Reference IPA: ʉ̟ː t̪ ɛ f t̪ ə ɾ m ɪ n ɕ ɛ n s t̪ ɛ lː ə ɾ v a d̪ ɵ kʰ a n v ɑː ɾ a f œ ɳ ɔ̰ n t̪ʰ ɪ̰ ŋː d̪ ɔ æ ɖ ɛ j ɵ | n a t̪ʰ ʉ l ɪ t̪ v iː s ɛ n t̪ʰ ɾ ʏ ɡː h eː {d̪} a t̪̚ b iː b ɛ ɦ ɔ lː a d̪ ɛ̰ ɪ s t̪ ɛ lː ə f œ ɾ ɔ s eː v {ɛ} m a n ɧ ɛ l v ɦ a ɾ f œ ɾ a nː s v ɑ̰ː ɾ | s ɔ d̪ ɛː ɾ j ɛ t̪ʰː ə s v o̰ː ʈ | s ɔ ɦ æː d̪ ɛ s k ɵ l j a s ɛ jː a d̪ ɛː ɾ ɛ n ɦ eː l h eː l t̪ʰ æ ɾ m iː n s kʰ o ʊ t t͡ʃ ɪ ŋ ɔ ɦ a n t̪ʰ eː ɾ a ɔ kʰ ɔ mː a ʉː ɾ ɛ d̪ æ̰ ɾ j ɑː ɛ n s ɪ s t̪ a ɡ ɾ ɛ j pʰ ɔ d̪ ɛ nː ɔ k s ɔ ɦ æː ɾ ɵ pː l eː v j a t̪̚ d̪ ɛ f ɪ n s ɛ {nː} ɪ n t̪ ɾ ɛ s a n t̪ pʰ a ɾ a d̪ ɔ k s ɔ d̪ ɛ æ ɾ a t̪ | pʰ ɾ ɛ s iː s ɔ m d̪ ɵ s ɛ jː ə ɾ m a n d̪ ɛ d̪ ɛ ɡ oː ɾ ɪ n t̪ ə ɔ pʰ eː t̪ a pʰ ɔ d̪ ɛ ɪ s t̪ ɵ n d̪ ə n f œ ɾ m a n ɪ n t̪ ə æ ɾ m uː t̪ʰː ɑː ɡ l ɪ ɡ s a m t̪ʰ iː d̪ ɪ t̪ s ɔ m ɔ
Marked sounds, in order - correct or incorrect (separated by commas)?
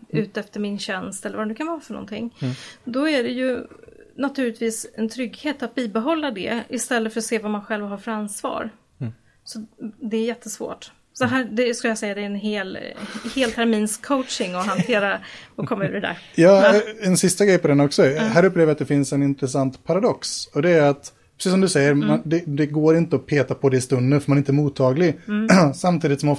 incorrect, incorrect, incorrect